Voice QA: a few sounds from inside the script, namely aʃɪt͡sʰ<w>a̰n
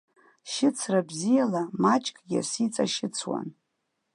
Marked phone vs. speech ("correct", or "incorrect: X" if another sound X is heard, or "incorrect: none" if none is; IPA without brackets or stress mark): correct